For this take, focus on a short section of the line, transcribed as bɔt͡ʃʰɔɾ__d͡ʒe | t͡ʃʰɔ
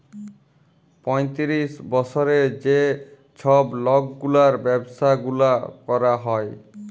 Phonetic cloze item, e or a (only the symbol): e